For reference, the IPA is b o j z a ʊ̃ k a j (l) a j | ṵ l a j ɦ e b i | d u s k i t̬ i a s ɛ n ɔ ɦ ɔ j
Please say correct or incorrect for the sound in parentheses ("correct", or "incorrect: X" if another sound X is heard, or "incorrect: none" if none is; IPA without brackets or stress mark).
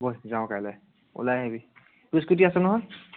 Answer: correct